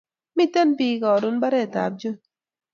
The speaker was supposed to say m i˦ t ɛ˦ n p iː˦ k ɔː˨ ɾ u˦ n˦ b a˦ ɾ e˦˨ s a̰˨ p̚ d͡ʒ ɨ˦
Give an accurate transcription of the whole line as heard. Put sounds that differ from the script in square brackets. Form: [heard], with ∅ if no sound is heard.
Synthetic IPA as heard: m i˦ t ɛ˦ n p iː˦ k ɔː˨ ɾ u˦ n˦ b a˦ ɾ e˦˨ [t] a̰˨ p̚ d͡ʒ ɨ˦